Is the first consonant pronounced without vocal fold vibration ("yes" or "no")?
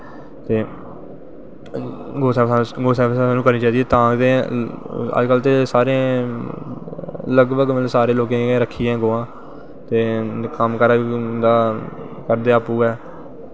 yes